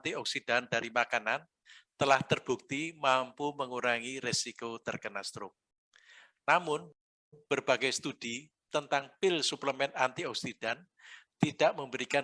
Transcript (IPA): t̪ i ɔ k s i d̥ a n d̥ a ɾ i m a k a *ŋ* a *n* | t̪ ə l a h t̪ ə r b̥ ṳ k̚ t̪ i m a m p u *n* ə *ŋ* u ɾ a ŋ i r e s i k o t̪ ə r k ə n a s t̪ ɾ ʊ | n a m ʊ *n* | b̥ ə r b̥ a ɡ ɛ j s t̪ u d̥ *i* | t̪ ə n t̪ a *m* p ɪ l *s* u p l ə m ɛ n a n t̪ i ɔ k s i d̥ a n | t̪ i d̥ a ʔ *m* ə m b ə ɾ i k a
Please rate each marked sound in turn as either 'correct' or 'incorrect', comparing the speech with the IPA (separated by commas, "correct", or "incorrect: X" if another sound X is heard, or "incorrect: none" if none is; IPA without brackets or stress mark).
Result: incorrect: n, correct, incorrect: m, correct, correct, correct, incorrect: ŋ, correct, correct